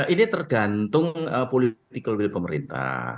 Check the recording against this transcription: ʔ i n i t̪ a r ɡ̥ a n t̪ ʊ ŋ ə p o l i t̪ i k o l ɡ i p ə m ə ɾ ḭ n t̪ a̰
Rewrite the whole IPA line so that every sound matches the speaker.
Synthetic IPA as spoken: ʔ i n i t̪ ə r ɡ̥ a n t̪ ʊ ŋ ə p o l i t̪ i k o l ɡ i p ə m ə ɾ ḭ n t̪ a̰